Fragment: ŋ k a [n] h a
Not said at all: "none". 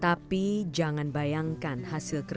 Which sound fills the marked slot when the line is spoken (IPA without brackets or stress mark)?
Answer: n